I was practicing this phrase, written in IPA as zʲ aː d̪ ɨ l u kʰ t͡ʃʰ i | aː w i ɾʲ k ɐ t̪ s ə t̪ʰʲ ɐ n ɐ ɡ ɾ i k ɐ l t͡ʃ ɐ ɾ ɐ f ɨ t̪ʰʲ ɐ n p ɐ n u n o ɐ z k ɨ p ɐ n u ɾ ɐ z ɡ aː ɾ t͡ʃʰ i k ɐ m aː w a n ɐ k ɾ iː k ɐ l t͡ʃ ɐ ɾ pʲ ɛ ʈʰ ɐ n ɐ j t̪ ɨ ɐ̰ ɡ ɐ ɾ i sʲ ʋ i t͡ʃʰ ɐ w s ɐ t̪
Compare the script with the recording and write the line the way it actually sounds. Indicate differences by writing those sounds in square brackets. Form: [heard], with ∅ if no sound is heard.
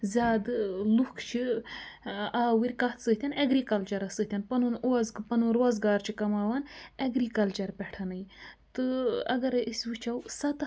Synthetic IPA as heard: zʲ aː d̪ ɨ l u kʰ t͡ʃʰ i | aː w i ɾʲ k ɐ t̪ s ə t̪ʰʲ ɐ n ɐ ɡ ɾ i k ɐ l t͡ʃ ɐ ɾ ɐ [s] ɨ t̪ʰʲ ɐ n p ɐ n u n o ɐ z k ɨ p ɐ n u ɾ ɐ z ɡ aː ɾ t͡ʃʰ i k ɐ m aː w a n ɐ [ɡ] ɾ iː k ɐ l t͡ʃ ɐ ɾ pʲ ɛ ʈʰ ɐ n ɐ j t̪ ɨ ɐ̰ ɡ ɐ ɾ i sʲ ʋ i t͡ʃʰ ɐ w s ɐ t̪